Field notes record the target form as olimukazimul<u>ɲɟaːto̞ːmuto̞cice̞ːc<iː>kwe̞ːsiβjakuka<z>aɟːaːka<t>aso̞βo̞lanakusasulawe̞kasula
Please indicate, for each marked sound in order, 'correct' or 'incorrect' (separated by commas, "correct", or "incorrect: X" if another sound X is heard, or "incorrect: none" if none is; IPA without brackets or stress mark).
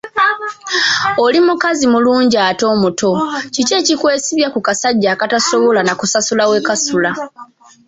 incorrect: uː, incorrect: i, incorrect: s, correct